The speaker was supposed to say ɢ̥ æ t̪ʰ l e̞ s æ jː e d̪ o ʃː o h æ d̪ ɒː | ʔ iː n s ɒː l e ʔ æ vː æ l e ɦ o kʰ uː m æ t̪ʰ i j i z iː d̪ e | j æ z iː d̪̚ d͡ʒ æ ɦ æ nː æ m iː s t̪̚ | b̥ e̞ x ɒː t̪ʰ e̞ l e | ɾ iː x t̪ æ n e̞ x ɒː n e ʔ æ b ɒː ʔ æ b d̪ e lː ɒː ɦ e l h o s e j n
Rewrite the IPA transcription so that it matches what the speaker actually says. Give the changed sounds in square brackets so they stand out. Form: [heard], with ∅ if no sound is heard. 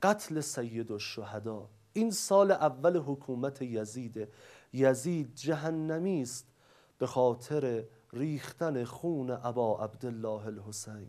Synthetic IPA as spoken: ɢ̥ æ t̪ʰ l e̞ s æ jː e d̪ o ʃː o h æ d̪ ɒː | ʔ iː n s ɒː l e ʔ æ vː æ l e ɦ o kʰ uː m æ t̪ʰ [e] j [æ] z iː d̪ e | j æ z iː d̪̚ d͡ʒ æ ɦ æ nː æ m iː s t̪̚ | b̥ e̞ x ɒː t̪ʰ e̞ [ɾ] e | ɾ iː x t̪ æ n e̞ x [uː] n e ʔ æ b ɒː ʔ æ b d̪ e lː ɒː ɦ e l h o s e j n